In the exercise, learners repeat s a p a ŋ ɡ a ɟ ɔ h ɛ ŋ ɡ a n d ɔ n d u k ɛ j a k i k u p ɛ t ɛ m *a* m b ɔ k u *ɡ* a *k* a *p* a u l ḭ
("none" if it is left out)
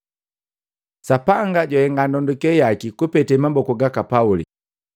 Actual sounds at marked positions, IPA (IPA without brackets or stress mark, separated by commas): a, ɡ, k, p